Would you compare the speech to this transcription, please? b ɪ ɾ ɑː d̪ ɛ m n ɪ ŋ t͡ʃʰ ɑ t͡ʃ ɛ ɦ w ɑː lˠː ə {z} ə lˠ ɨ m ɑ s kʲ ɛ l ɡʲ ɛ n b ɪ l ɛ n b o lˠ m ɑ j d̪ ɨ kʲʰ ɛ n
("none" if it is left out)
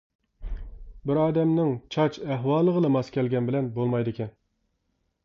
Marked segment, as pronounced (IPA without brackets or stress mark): ʁ